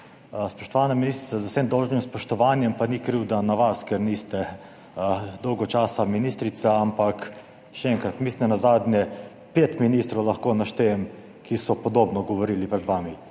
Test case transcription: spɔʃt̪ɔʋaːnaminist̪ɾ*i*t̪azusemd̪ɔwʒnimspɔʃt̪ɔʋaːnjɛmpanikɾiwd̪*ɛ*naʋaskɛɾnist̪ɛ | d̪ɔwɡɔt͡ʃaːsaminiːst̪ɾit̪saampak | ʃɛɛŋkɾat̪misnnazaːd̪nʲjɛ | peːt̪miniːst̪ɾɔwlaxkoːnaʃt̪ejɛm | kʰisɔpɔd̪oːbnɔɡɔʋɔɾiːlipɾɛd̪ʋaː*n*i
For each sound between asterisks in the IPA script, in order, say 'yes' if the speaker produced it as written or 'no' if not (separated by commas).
yes, no, no